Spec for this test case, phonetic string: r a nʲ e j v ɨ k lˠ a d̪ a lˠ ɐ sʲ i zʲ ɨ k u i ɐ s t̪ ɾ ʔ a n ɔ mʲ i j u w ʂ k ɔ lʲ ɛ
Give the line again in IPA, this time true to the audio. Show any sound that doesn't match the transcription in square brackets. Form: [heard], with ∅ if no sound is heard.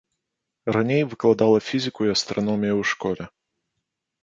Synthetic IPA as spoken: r a nʲ e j v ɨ k lˠ a d̪ a lˠ ɐ [fʲ] i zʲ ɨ k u i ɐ s t̪ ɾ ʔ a n ɔ mʲ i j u w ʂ k ɔ lʲ ɛ